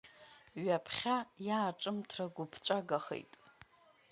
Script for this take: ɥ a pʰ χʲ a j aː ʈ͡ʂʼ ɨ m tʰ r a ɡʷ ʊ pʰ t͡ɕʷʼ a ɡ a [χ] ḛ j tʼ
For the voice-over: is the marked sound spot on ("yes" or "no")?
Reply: yes